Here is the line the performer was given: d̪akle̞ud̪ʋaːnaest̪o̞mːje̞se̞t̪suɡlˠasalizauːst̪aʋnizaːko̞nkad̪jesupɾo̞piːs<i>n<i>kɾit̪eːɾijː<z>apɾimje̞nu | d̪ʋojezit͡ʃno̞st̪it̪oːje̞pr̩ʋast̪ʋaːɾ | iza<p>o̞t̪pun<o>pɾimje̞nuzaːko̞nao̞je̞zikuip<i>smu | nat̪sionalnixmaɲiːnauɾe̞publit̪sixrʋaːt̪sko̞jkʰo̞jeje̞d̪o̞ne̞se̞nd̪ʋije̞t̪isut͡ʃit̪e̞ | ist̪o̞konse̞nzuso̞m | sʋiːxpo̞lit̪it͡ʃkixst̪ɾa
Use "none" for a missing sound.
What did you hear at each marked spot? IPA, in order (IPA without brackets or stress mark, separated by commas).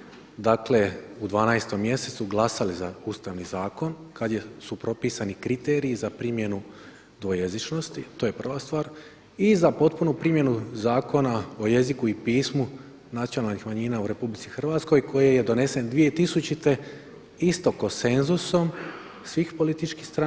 a, i, z, p, u, iː